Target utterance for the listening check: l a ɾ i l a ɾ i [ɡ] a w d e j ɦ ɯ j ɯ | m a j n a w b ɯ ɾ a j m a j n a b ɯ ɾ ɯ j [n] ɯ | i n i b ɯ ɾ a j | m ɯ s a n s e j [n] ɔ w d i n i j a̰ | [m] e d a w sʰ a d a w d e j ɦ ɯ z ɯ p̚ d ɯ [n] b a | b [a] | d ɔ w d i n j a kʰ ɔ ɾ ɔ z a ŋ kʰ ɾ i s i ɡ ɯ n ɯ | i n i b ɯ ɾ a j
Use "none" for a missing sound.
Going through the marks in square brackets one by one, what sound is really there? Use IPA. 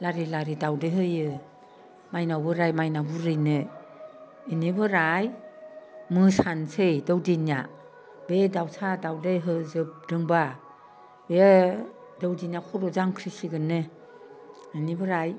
d, n, d, b, ŋ, e

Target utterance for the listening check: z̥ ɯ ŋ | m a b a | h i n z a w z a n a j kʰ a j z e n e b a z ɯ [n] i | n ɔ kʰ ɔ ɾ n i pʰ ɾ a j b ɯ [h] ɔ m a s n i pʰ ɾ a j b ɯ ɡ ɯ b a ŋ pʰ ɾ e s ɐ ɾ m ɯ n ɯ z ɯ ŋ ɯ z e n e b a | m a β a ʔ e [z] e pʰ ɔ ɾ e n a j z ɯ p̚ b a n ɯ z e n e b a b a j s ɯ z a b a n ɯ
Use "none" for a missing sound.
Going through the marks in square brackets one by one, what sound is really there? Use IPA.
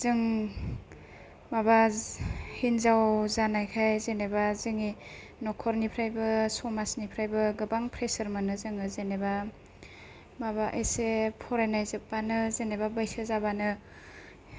ŋ, s, s

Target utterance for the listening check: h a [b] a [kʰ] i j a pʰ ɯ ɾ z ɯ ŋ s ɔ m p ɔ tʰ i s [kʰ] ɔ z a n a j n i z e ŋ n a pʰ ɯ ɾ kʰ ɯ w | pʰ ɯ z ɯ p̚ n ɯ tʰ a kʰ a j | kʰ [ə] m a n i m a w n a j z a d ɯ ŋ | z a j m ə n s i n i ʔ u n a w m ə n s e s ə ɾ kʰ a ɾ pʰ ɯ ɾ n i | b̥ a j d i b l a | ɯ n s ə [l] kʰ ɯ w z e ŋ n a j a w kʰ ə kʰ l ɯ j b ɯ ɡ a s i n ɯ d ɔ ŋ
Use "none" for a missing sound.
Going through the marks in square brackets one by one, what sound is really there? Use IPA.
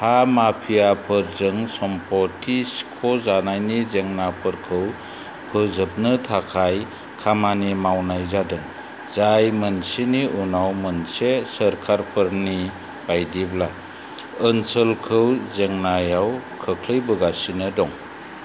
m, pʰ, kʰ, a, l

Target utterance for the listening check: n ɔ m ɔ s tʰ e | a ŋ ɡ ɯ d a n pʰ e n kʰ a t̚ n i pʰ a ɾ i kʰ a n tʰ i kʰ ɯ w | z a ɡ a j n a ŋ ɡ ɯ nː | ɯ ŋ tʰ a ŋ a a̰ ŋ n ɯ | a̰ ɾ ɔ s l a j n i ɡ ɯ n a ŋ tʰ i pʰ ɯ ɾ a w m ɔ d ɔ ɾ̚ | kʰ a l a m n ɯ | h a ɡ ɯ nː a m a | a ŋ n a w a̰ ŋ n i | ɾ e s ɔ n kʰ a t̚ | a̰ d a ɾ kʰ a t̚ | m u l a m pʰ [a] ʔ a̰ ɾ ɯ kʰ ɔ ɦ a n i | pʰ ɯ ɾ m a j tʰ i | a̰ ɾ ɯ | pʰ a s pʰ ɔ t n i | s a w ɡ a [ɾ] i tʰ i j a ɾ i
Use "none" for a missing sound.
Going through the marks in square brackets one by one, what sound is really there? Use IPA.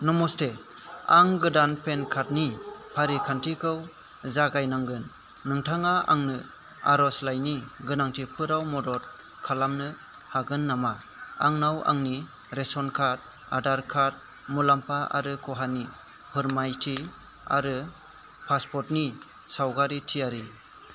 a, ɾ

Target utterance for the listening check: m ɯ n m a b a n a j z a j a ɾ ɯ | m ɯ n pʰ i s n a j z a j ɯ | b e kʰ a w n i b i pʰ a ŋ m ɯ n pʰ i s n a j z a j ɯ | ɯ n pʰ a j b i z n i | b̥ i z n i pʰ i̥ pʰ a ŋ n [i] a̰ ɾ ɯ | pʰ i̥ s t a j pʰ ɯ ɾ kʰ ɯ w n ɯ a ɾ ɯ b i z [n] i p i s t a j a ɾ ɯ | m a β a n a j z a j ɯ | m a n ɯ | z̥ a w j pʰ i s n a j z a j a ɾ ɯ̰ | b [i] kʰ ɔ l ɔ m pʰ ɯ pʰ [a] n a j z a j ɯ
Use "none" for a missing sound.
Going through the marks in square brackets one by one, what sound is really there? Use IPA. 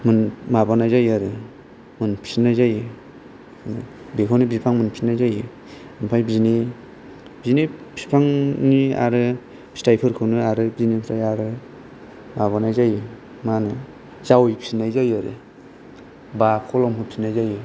i, n, a, i

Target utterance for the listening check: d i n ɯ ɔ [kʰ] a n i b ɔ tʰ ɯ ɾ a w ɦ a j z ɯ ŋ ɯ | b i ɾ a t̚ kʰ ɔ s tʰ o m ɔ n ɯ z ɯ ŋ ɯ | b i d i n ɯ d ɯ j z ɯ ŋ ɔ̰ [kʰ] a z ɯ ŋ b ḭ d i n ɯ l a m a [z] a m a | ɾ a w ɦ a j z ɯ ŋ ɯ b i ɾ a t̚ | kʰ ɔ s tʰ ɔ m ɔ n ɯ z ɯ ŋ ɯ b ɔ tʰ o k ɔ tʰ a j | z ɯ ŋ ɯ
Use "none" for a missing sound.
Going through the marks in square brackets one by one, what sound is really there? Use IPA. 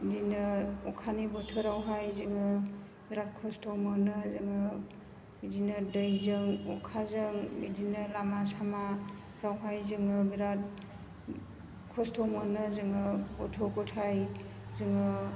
kʰ, kʰ, s

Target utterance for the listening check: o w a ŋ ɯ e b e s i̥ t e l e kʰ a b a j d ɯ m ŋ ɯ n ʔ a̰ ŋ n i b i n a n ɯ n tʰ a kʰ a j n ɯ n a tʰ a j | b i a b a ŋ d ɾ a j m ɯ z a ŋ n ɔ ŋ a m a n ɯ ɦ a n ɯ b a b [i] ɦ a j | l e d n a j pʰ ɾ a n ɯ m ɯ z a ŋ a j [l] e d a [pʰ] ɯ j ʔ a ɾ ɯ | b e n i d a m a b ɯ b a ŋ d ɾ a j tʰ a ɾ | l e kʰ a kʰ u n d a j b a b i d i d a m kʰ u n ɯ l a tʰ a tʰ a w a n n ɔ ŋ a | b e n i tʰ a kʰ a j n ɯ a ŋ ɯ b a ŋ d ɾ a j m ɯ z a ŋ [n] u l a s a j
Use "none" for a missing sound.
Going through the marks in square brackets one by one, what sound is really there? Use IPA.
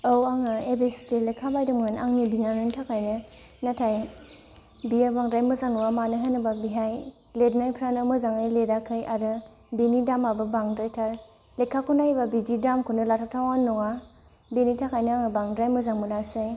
i, l, kʰ, m

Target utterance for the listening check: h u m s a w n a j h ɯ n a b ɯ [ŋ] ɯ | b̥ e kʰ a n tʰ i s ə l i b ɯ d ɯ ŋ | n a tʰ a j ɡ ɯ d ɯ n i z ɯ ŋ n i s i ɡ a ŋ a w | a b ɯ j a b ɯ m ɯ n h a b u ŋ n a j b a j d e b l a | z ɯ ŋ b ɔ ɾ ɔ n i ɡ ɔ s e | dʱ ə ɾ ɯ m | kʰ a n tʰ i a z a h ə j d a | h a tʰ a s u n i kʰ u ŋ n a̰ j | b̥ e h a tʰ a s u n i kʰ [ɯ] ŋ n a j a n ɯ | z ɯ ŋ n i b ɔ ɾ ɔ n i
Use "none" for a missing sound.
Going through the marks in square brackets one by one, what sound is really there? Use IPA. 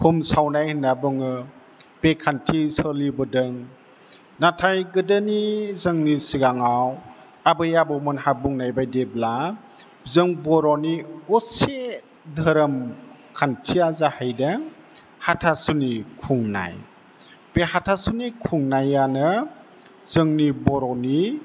ŋ, u

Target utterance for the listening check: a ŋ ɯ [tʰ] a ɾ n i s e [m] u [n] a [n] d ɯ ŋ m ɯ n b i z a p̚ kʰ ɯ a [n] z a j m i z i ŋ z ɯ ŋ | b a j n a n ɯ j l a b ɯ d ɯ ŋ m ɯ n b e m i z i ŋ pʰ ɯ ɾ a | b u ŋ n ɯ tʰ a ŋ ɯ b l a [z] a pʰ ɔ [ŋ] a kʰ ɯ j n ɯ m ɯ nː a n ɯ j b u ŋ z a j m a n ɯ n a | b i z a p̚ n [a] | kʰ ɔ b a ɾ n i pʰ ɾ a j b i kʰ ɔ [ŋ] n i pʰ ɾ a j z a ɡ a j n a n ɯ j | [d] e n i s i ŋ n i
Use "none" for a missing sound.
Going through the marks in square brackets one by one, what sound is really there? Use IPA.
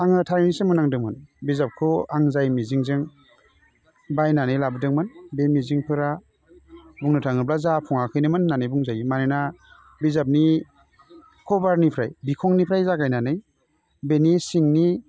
tʰ, m, n, ŋ, ŋ, z, ŋ, i, ŋ, b

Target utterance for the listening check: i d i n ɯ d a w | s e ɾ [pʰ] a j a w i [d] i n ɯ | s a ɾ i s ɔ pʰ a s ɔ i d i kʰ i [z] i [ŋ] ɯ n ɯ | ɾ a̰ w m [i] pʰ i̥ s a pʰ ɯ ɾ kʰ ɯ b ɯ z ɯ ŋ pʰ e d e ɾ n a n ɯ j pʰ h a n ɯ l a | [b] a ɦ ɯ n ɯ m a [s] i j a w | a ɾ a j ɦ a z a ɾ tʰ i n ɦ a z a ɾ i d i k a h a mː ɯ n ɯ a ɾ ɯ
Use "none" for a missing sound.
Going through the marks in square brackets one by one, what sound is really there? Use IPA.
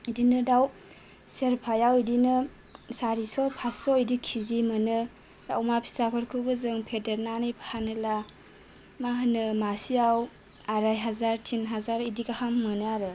pʰ, d, z, m, a, m, s

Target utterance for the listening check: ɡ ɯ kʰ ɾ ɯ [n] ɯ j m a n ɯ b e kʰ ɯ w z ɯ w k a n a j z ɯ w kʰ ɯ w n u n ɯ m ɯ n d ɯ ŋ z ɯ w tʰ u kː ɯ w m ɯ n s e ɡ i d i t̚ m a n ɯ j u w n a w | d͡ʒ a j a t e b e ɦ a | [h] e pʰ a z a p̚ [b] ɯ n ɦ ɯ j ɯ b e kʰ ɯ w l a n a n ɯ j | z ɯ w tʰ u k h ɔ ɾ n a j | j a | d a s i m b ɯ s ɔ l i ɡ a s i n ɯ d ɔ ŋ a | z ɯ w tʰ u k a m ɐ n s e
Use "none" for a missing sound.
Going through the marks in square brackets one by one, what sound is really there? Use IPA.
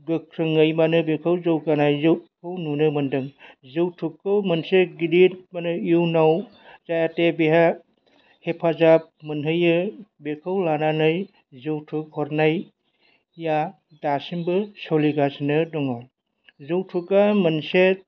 ŋ, h, m

